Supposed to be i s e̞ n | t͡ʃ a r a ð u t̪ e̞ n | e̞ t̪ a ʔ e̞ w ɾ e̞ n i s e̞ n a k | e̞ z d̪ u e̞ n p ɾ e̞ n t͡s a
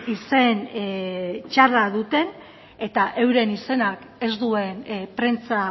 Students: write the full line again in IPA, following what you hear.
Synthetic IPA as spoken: i s e̞ n | t͡ʃ a r a ð u t̪ e̞ n | e̞ t̪ a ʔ e̞ w ɾ e̞ n i s e̞ n a k | e̞ z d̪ u e̞ n p ɾ e̞ n t͡s a